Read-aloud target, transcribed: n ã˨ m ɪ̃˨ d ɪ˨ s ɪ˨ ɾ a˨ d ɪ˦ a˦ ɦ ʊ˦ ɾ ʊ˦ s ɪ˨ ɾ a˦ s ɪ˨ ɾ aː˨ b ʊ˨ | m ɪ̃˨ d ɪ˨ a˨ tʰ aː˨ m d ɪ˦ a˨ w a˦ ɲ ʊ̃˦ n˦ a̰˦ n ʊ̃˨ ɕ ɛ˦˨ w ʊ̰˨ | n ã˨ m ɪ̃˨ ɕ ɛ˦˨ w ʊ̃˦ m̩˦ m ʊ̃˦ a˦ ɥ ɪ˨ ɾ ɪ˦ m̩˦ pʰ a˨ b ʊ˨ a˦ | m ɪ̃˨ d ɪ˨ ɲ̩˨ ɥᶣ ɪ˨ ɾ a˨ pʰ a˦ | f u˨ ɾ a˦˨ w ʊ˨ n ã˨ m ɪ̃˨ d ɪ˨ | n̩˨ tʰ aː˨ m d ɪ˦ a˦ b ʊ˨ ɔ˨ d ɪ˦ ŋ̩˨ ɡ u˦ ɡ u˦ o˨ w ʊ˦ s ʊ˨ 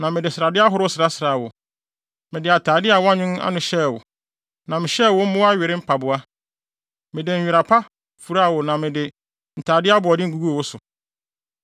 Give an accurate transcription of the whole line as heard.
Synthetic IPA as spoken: n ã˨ m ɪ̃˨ d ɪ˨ s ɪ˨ ɾ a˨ d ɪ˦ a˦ ɦ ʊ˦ ɾ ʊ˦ s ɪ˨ ɾ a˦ s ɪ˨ ɾ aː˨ w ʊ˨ | m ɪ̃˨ d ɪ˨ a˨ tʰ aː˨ d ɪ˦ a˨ w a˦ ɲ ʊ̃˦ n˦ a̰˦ n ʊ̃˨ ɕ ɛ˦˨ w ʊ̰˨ | n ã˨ m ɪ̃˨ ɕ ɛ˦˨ w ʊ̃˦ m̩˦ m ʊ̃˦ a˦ ɥ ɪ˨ ɾ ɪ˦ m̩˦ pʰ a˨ b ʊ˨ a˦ | m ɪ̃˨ d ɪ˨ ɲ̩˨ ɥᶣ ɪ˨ ɾ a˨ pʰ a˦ | f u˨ ɾ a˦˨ w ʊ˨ n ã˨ m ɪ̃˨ d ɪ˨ | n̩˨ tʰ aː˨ d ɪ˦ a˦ b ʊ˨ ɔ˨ d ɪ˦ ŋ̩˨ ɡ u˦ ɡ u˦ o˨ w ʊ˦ s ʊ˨

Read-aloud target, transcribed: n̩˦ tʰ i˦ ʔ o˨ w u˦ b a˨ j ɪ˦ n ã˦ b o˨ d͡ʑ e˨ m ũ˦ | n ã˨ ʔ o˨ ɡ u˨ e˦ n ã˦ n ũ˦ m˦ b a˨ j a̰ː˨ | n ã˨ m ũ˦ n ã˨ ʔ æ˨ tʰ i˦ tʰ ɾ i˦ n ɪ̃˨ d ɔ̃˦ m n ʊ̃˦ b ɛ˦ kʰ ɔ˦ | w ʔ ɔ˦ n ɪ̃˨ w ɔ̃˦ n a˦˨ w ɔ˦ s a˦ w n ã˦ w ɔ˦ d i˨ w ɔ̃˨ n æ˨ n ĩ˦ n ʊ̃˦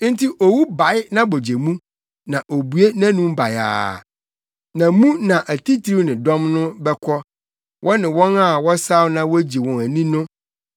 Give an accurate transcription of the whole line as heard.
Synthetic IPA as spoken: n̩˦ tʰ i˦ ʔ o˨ w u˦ b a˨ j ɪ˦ n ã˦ b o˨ d͡ʑ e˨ m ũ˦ | n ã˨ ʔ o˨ b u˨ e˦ n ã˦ n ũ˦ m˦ b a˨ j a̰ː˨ | n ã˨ m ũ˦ n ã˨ ʔ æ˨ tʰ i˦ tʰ ɾ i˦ n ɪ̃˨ d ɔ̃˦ m n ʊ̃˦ b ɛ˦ kʰ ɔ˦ | w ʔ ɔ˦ n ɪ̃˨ w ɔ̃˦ n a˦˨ w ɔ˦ s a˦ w n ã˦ w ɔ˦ d͡ʑ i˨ w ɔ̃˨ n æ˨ n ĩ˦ n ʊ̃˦

